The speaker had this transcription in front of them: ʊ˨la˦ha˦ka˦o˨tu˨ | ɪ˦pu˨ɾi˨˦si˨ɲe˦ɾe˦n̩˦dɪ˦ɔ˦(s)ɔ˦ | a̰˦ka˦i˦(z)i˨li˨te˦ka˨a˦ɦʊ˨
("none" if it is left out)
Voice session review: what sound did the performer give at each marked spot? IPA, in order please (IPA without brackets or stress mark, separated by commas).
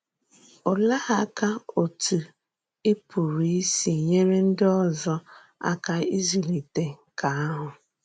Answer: z, z